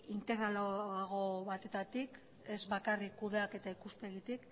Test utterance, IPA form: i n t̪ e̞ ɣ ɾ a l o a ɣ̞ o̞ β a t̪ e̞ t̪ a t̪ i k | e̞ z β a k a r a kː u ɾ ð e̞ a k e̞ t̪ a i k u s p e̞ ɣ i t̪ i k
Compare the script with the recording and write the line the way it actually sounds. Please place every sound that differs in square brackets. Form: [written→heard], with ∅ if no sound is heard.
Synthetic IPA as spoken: i n t̪ e̞ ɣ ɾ a l o a ɣ̞ o̞ β a t̪ e̞ t̪ a t̪ i k | e̞ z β a k a r [a→i] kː u [ɾ→∅] ð e̞ a k e̞ t̪ a i k u s p e̞ ɣ i t̪ i k